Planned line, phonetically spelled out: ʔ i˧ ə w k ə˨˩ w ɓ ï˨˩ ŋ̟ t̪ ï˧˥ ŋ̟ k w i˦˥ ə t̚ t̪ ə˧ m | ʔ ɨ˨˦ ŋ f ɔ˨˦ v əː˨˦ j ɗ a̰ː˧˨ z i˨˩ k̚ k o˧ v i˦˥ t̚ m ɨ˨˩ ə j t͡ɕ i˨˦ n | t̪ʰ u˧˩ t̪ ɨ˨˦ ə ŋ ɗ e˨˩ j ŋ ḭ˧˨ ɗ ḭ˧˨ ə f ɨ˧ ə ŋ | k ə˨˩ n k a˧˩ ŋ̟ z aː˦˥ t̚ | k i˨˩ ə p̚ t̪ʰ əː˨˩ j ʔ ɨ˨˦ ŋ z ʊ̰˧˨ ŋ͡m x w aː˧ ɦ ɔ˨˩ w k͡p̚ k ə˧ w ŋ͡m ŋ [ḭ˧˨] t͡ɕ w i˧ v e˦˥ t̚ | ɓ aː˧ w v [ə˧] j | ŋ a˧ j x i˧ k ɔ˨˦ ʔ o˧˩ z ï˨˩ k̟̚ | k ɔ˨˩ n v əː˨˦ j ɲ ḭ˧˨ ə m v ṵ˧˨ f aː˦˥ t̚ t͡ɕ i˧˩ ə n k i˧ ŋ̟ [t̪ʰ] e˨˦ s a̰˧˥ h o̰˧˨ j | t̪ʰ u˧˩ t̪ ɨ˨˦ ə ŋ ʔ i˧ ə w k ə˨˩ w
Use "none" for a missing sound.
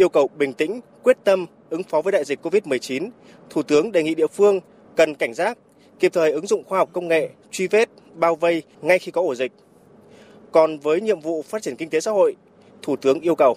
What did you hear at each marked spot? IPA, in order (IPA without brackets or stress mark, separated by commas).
ḛ˧˨, ə˧, t̪